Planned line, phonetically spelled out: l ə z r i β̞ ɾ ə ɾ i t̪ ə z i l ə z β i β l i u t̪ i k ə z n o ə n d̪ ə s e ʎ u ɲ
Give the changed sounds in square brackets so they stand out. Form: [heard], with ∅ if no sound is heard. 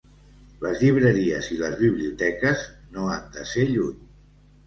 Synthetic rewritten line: l ə z [ʎ] i β̞ ɾ ə ɾ i [∅] ə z i l ə z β i β l i u t̪ [ɛ] k ə z n o [a] n d̪ ə s e ʎ u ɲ